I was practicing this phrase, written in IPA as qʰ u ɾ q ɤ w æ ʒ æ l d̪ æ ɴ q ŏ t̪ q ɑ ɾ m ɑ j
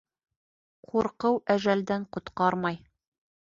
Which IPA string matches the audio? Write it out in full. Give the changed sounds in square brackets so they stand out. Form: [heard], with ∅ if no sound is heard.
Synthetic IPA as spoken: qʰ u ɾ q ɤ w æ ʒ æ l d̪ æ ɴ q ŏ t̪ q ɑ ɾ m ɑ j